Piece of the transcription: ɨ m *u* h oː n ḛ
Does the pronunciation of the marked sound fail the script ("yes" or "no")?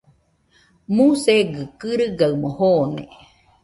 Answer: yes